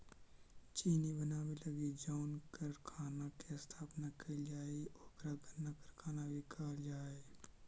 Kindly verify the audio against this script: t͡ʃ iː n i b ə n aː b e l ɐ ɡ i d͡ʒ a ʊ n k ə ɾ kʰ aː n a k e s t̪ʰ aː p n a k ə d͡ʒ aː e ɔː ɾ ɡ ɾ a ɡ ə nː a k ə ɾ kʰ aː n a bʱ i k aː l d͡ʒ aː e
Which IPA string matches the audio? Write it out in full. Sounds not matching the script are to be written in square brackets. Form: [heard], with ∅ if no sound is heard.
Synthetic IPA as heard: t͡ʃ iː n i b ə n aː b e l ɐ ɡ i d͡ʒ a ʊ n k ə ɾ kʰ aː n a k e s t̪ʰ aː p n a k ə d͡ʒ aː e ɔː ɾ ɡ ɾ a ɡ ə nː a k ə ɾ kʰ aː n a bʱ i k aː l d͡ʒ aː e